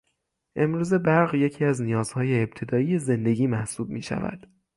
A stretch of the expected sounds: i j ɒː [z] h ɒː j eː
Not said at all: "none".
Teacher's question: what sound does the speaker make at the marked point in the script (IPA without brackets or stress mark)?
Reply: z